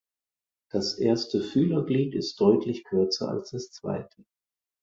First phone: d̥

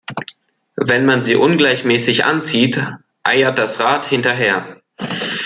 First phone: v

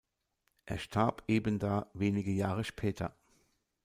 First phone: ʔ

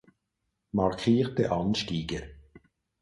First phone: m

